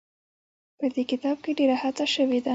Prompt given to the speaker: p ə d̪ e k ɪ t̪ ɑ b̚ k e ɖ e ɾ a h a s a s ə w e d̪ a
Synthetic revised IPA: p ə d̪ e k ɪ t̪ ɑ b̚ k e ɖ e ɾ a h a t͡s a ʃ ə w e d̪ a